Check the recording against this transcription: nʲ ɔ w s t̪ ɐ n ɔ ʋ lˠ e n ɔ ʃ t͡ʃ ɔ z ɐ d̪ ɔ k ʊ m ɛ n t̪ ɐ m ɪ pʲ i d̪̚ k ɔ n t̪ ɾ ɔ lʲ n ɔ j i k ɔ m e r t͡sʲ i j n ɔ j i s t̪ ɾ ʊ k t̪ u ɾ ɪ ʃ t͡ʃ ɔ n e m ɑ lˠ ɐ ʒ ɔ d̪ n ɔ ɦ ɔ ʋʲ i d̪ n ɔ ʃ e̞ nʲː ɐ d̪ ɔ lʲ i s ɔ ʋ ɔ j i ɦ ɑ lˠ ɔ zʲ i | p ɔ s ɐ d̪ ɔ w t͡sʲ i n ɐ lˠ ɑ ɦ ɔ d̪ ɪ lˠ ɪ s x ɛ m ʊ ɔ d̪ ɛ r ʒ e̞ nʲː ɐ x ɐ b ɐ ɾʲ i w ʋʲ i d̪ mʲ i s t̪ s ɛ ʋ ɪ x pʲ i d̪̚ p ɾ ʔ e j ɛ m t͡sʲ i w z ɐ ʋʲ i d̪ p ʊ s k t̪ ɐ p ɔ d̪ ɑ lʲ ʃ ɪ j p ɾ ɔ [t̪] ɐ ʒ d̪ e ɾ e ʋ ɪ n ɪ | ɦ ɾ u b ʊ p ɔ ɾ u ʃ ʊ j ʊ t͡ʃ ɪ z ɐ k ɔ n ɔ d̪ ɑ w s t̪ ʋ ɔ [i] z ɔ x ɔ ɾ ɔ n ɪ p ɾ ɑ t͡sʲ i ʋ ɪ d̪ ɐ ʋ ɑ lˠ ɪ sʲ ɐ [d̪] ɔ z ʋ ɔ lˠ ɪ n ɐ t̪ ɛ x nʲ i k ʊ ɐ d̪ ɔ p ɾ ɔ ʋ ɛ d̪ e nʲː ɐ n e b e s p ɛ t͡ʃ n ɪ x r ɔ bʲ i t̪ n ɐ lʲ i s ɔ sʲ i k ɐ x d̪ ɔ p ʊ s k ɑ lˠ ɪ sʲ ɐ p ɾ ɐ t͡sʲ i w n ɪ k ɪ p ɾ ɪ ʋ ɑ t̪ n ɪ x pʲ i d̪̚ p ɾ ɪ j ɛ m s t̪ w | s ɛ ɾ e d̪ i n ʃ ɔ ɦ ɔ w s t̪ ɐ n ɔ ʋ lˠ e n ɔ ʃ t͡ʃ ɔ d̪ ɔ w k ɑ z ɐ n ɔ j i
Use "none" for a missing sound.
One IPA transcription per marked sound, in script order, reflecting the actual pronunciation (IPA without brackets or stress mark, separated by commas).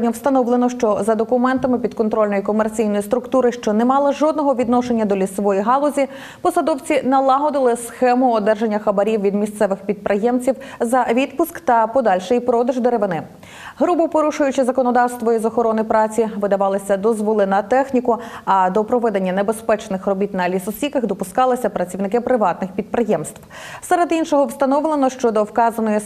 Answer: d̪, i, d̪